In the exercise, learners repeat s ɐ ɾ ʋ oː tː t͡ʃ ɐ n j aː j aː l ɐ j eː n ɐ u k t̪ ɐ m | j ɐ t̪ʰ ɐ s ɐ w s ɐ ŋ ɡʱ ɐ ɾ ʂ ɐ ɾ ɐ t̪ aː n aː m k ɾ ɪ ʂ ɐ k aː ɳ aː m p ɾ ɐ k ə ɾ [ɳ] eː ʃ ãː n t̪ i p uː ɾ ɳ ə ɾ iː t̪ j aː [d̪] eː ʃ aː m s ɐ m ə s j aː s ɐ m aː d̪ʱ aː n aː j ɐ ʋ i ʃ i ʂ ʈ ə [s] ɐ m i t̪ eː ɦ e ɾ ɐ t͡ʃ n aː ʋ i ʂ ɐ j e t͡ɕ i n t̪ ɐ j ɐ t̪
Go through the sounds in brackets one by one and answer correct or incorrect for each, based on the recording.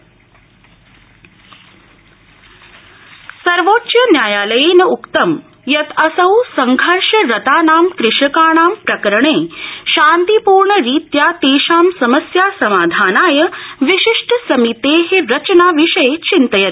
correct, incorrect: t̪, correct

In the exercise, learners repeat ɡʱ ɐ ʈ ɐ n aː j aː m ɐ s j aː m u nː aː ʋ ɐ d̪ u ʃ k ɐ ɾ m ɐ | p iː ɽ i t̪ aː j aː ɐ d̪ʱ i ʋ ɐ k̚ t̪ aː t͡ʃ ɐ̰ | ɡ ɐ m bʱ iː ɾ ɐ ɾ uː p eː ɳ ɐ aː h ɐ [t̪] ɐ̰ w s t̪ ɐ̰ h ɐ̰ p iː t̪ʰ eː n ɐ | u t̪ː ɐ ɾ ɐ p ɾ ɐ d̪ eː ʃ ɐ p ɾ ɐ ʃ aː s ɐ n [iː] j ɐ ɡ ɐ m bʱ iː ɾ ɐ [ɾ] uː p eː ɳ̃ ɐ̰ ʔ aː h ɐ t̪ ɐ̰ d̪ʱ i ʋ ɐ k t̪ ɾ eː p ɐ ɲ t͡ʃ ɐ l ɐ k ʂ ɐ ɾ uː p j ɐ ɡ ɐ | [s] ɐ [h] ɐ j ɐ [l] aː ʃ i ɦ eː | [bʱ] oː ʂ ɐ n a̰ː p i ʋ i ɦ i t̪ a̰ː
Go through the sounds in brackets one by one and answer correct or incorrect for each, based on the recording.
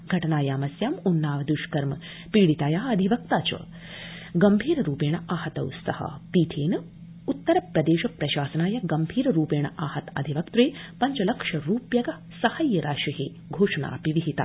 correct, incorrect: aː, correct, correct, correct, incorrect: ɾ, incorrect: ɡʱ

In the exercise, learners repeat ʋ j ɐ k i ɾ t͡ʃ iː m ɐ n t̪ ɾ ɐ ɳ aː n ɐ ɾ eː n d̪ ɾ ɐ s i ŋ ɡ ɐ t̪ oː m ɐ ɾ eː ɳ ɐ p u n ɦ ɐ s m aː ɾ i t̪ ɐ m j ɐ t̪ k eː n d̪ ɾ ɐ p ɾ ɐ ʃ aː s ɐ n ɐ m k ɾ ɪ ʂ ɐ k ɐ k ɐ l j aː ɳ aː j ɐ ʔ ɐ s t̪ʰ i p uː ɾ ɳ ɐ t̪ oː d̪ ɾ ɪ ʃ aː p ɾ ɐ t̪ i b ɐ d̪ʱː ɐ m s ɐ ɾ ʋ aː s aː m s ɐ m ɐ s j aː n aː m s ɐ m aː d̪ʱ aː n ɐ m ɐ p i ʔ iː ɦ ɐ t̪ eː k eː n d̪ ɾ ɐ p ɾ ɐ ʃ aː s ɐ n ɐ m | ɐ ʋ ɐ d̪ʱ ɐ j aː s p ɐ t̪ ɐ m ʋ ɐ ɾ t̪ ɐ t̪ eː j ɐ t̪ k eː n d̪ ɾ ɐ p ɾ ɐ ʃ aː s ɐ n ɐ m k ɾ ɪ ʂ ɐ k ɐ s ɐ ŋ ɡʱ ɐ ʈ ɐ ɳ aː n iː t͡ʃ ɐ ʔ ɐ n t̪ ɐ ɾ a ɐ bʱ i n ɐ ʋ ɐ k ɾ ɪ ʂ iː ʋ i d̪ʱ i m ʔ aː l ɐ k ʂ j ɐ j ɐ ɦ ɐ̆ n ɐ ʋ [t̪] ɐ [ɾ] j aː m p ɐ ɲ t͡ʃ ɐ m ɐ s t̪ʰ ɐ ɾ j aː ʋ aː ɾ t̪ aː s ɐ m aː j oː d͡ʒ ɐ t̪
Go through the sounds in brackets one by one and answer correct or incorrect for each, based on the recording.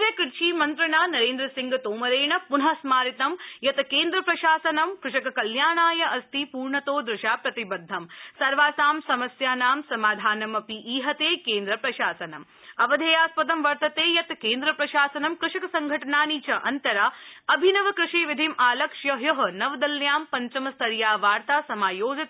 incorrect: d̪, incorrect: l

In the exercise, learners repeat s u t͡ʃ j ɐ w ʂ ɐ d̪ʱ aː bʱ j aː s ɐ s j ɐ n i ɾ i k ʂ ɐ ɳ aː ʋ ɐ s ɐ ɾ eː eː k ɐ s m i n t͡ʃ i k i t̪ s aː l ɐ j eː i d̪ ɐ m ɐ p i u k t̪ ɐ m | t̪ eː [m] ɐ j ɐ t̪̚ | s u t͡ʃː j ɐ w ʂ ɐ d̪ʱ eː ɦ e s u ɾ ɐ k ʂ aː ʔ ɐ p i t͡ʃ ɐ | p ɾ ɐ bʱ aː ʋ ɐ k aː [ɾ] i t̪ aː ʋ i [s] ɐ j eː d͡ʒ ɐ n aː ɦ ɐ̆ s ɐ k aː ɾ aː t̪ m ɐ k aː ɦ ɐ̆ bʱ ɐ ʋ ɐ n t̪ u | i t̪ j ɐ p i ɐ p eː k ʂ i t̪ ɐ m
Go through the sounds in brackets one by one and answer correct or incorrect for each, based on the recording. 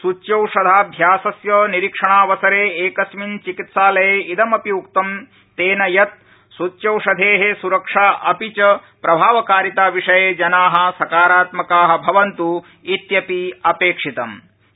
incorrect: n, correct, incorrect: ʂ

